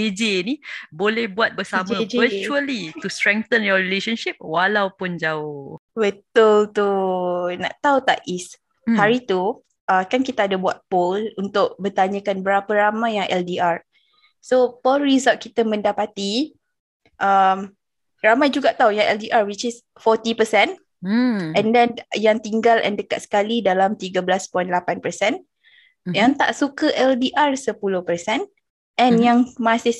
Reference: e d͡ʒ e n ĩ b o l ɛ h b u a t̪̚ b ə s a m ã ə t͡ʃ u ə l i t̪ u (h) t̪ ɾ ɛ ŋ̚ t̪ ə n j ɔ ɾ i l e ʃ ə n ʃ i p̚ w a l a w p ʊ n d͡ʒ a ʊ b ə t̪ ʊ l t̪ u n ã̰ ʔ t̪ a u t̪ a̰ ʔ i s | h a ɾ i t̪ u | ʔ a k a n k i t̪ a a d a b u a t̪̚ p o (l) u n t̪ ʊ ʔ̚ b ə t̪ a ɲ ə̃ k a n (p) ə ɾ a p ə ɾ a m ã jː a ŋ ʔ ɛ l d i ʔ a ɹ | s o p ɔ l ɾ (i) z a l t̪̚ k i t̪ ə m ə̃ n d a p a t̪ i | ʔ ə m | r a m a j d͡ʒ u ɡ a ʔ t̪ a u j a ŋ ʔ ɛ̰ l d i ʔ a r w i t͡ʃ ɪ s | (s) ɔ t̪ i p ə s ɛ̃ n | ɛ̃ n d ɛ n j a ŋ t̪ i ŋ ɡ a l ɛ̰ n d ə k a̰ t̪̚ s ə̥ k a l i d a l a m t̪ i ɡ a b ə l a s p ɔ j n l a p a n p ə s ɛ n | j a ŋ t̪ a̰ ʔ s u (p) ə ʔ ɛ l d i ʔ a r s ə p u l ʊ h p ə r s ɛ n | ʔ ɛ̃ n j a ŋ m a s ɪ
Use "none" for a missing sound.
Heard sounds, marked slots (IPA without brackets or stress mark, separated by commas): s, l, b, i, f, k